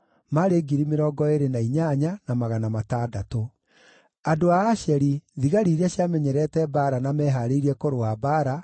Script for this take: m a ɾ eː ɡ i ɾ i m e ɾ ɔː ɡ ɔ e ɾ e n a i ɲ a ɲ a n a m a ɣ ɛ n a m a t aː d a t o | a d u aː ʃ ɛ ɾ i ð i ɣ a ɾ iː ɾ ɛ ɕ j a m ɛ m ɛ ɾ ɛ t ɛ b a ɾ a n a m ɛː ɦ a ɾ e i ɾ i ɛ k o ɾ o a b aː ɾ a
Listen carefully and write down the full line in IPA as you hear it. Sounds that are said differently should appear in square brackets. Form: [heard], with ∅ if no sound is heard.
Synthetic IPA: m a ɾ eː ɡ i ɾ i m e ɾ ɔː ɡ ɔ e ɾ e n a i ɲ a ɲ a n a m a ɣ [a] n a m a t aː d a t o | a d [o] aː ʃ ɛ ɾ i ð i ɣ a ɾ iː ɾ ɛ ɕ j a m ɛ [ɲ] ɛ ɾ ɛ t ɛ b a ɾ a n a m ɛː ɦ a ɾ e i ɾ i ɛ k o ɾ o a b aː ɾ a